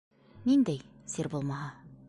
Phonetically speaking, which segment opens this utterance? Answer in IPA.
n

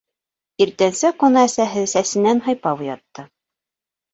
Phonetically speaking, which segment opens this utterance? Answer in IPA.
i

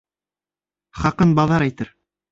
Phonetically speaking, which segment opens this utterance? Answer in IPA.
χ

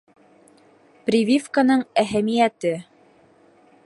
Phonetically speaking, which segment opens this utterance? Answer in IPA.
p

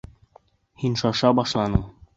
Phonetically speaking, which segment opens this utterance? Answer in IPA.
h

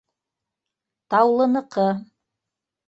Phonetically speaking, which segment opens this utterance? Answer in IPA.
t̪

